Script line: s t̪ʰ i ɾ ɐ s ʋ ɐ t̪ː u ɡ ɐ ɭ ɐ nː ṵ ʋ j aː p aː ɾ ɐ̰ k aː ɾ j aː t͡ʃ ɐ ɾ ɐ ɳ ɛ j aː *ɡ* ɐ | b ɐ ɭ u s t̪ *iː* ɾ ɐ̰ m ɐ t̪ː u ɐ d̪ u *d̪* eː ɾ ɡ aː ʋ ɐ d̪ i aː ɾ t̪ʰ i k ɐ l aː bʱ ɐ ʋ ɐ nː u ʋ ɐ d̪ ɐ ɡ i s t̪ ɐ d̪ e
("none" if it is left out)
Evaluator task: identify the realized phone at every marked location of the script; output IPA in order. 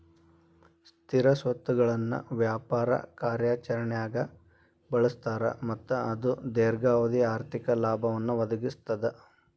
ɡ, aː, d̪

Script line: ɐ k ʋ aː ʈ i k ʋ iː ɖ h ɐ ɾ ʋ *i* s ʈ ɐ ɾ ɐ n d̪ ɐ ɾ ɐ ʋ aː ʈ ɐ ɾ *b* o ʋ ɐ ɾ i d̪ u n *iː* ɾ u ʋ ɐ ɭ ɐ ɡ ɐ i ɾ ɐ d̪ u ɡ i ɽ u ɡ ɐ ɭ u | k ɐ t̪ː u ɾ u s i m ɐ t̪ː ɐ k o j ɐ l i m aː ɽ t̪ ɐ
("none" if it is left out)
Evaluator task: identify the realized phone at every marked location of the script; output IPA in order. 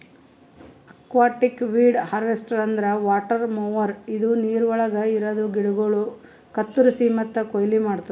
e, m, iː

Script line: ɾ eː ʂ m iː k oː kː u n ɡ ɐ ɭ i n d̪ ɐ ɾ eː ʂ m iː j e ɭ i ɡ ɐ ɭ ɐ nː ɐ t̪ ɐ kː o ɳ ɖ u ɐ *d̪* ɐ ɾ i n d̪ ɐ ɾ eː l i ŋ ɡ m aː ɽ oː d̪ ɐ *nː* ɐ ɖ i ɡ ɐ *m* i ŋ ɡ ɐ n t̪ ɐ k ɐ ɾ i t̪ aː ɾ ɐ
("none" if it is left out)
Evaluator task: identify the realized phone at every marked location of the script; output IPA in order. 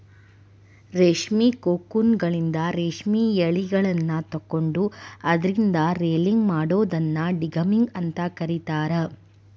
d̪, nː, m

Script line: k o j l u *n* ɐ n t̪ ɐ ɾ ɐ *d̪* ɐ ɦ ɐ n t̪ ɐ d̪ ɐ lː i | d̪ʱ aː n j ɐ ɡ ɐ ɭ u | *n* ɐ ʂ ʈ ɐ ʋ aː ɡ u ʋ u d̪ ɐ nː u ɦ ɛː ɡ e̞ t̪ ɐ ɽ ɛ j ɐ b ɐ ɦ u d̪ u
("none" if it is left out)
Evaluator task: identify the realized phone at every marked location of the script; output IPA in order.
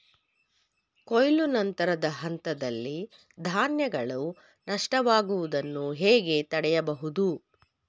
n, d̪, n

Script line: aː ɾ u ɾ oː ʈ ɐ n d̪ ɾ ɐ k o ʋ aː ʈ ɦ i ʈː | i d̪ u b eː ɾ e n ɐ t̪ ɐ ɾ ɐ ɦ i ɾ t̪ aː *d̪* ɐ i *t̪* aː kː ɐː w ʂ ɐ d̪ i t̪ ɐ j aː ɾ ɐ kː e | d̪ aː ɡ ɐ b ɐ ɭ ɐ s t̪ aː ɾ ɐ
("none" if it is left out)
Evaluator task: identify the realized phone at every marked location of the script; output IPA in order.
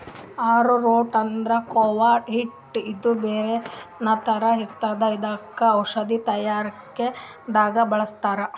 d̪, d̪

